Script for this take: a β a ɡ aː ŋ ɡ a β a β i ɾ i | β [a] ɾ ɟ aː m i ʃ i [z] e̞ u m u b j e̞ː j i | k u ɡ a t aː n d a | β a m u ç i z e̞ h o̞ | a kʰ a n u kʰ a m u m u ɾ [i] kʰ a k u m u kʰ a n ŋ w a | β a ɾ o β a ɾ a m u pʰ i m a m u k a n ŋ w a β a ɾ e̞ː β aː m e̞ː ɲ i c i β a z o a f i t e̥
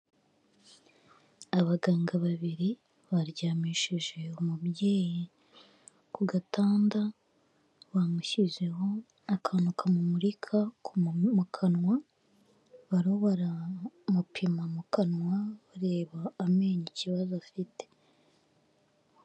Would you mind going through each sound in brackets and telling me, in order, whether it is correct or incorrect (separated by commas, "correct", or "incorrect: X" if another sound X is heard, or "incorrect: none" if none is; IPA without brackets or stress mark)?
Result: correct, incorrect: ʒ, correct